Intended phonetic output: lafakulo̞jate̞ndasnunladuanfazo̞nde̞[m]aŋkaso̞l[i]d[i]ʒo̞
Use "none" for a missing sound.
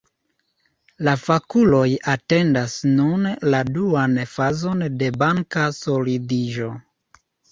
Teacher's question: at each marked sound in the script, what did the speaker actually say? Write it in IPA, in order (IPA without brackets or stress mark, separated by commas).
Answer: b, i, i